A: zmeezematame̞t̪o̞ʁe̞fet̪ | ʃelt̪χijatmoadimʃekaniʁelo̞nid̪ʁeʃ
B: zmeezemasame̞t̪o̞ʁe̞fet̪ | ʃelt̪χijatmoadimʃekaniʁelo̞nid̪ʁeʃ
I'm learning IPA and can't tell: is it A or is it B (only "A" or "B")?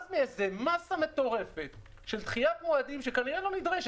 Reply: B